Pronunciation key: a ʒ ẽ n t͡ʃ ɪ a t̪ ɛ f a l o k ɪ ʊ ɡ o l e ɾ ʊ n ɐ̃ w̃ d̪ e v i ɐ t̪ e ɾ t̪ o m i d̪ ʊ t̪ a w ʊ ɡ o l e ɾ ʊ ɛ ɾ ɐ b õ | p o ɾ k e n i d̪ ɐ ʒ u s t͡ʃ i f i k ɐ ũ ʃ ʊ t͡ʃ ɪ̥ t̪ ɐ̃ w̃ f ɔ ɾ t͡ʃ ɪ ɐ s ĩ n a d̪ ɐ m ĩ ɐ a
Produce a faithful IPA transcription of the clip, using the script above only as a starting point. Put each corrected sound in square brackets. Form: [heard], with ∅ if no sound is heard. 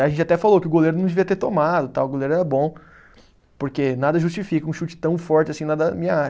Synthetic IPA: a ʒ ẽ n t͡ʃ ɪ a t̪ ɛ f a l o k ɪ ʊ ɡ o l e ɾ ʊ n ɐ̃ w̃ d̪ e v i ɐ t̪ e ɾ t̪ o m [a] d̪ ʊ t̪ a w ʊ ɡ o l e ɾ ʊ ɛ ɾ ɐ b õ | p o ɾ k e n [a] d̪ ɐ ʒ u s t͡ʃ i f i k ɐ ũ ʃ [u] t͡ʃ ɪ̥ t̪ ɐ̃ w̃ f ɔ ɾ t͡ʃ ɪ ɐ s ĩ n a d̪ ɐ m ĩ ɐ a